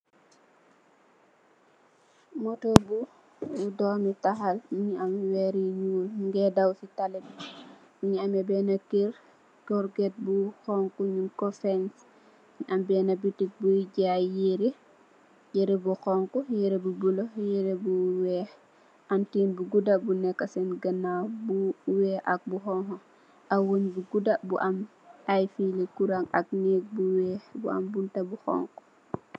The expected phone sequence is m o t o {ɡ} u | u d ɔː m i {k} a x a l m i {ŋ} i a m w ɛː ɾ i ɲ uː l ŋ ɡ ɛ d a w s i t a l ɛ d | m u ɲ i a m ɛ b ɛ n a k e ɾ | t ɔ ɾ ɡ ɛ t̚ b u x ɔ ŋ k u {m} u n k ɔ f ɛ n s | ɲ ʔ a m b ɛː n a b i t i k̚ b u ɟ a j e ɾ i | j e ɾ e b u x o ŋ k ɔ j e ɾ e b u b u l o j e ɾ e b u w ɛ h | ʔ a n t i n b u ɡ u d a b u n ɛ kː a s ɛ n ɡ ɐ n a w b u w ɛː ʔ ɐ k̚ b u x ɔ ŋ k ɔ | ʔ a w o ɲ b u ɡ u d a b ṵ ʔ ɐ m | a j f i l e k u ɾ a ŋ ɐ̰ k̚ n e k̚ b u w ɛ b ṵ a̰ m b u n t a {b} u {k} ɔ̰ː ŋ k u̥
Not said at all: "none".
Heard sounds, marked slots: b, t, ɲ, ɲ, b, x

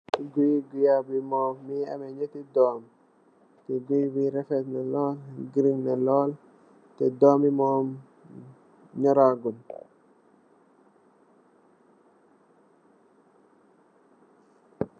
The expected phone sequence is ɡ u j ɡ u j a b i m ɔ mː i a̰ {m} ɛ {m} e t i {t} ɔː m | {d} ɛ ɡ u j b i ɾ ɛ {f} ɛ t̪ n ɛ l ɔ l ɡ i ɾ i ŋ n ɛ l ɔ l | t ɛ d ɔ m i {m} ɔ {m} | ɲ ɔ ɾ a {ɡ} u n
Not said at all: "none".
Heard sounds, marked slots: m, ɲ, d, t, f, m, m, ɡ

